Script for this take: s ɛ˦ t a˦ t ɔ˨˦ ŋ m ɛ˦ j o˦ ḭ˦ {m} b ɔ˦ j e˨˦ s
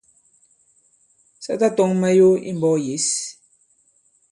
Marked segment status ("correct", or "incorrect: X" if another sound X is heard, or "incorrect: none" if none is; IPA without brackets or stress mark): correct